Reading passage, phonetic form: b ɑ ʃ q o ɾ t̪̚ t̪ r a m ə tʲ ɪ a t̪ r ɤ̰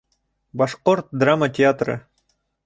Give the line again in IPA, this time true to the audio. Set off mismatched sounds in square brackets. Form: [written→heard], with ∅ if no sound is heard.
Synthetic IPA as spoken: b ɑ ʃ q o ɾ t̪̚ [t̪→d̪] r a m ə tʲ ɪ a t̪ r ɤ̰

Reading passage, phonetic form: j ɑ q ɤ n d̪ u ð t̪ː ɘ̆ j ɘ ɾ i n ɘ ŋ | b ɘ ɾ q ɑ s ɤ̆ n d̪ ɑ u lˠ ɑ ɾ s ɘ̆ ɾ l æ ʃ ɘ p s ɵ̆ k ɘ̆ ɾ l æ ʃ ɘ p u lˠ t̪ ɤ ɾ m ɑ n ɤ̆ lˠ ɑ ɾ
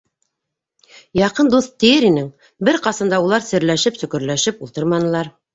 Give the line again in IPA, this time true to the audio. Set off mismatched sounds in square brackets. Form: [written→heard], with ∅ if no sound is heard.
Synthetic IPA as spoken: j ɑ q ɤ n d̪ u [ð→θ] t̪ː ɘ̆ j ɘ ɾ i n ɘ ŋ | b ɘ ɾ q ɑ s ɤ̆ n d̪ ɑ u lˠ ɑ ɾ s ɘ̆ ɾ l æ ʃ ɘ p s ɵ̆ k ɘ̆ ɾ l æ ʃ ɘ p u lˠ t̪ ɤ ɾ m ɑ n ɤ̆ lˠ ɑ ɾ

